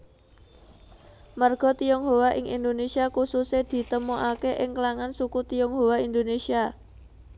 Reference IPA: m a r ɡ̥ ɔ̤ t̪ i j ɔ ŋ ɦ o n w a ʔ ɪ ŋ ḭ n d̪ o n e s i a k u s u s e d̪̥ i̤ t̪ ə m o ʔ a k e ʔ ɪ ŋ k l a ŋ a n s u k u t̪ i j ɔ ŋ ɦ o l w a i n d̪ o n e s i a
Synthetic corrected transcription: m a r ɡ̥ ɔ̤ t̪ i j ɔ ŋ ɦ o w a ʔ ɪ ŋ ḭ n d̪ o n e s i a k u s u s e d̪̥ i̤ t̪ ə m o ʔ a k e ʔ ɪ ŋ k l a ŋ a n s u k u t̪ i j ɔ ŋ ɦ o w a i n d̪ o n e s i a